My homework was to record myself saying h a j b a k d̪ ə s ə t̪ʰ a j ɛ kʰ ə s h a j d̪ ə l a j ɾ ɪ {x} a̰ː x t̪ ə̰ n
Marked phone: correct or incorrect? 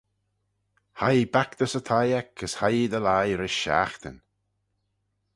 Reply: incorrect